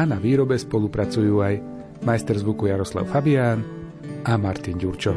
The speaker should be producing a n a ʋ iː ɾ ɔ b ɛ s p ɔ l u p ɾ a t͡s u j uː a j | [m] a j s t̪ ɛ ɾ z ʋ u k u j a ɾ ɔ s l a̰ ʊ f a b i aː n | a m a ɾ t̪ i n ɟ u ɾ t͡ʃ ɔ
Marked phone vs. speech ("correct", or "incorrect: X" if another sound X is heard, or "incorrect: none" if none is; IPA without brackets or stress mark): correct